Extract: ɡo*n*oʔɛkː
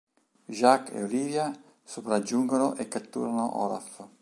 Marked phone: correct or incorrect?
correct